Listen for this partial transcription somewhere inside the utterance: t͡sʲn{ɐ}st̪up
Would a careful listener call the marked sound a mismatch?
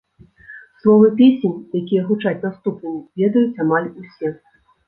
yes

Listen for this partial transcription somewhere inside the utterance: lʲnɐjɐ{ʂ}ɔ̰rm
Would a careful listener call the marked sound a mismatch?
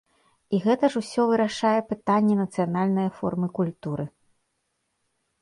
yes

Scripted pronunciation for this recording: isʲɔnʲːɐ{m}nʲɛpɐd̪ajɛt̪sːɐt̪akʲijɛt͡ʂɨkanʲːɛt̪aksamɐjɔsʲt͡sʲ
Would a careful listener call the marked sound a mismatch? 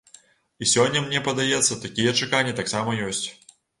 no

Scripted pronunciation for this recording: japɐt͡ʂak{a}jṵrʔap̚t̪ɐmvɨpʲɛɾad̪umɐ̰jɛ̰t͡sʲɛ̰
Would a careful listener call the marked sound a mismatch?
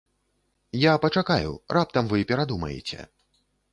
no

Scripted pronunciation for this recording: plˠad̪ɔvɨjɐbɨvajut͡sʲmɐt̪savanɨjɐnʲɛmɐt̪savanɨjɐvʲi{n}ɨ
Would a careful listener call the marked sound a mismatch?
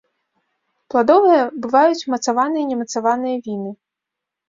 no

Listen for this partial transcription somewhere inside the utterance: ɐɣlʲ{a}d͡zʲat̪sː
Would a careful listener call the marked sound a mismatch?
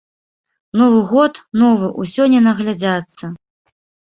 no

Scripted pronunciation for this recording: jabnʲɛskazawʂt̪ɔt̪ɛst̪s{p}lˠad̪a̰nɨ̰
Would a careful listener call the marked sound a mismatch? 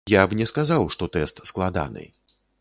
yes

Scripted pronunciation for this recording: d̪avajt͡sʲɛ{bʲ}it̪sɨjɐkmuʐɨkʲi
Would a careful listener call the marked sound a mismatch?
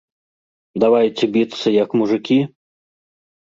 no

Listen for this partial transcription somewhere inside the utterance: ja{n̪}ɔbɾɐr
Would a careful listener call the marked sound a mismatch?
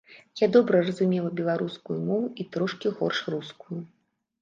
yes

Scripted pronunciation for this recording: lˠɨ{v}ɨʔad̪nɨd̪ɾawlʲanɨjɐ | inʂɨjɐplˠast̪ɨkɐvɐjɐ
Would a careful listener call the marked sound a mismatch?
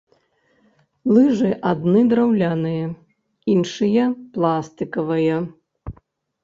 yes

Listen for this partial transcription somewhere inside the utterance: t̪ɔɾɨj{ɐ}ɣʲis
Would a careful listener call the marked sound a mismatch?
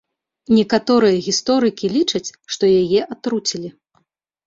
no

